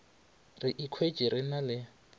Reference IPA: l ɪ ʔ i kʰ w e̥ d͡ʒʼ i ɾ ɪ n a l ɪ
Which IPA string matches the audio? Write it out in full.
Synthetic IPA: r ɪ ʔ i kʰ w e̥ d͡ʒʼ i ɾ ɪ n a l ɪ